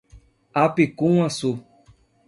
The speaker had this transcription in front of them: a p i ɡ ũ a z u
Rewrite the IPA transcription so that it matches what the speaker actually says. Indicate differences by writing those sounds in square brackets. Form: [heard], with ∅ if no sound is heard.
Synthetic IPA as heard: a p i [k] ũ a [s] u